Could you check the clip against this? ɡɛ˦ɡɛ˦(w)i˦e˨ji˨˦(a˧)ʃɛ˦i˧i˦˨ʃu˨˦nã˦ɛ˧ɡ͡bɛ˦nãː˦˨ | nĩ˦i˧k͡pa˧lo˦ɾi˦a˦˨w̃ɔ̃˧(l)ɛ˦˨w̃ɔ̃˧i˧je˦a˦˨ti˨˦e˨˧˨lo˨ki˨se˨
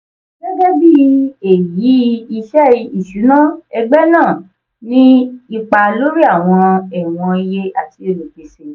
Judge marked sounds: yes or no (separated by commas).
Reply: no, no, no